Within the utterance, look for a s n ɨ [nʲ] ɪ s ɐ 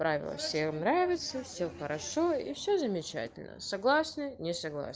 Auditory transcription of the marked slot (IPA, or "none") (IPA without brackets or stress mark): nʲ